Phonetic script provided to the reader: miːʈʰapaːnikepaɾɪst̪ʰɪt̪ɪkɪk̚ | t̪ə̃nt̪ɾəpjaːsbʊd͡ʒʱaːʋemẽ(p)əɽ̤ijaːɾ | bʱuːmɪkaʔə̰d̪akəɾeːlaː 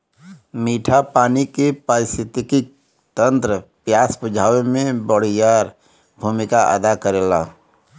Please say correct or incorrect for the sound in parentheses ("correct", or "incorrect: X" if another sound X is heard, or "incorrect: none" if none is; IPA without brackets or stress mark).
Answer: incorrect: b